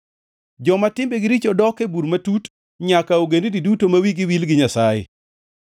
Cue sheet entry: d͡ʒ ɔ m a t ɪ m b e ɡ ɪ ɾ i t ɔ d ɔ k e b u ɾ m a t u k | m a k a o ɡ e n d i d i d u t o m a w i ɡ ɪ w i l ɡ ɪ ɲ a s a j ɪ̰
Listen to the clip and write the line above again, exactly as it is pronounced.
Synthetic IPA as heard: d͡ʒ ɔ m a t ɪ m b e ɡ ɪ ɾ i t͡ʃ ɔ d ɔ k e b u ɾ m a t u t | ɲ a k a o ɡ e n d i d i d u t o m a w i ɡ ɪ w i l ɡ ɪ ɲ a s a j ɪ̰